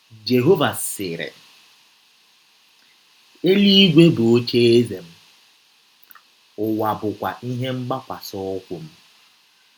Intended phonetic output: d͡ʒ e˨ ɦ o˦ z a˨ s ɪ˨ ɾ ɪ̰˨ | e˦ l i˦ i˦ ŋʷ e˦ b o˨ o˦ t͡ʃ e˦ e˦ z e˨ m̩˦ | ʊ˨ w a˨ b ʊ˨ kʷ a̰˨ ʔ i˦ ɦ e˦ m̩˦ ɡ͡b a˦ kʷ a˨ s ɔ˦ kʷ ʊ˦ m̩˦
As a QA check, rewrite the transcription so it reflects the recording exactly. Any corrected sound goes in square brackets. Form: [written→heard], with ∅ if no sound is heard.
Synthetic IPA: d͡ʒ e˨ ɦ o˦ [z→v] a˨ s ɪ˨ ɾ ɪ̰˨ | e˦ l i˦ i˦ [ŋʷ→ɡʷ] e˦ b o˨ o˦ t͡ʃ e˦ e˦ z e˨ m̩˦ | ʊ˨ w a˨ b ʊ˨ kʷ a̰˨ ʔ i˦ ɦ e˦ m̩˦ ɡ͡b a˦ kʷ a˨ s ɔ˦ kʷ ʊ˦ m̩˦